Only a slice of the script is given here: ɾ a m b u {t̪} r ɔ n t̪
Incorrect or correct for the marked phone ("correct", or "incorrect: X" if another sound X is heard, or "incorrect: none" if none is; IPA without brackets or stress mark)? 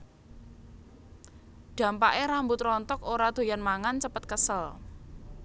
correct